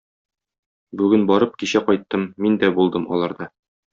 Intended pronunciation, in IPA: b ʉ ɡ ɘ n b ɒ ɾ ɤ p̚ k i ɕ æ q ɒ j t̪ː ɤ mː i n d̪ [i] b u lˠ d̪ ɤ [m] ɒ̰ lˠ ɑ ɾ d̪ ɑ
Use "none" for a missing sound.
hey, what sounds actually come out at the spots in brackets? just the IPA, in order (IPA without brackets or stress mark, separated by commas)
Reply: æ, m